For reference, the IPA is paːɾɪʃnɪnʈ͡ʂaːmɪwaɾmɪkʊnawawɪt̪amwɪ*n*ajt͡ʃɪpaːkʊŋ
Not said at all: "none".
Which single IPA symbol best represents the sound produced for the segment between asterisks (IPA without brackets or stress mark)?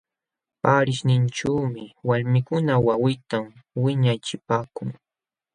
ɲ